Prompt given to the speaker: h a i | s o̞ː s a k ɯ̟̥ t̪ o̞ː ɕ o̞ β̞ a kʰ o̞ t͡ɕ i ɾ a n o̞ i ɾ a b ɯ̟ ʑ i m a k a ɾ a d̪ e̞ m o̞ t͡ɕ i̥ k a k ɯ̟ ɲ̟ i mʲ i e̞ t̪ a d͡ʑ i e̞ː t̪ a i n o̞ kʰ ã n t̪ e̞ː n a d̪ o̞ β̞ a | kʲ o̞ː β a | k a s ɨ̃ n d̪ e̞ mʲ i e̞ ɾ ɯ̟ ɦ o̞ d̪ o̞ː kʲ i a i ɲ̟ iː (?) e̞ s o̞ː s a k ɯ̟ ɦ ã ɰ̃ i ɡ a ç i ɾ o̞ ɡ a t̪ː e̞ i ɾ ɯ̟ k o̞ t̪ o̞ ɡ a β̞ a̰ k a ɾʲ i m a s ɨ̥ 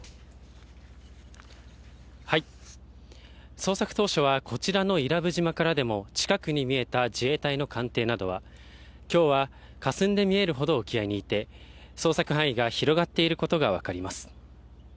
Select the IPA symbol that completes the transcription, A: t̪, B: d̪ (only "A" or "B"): A